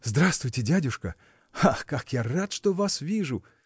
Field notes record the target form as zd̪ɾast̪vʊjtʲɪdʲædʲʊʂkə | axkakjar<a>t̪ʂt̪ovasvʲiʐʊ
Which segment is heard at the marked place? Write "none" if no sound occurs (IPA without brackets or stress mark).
a